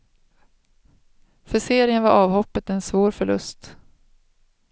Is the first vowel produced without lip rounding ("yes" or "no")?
no